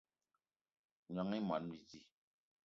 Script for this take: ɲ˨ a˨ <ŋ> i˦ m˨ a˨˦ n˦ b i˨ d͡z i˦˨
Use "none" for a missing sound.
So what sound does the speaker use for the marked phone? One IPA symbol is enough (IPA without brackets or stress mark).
ŋ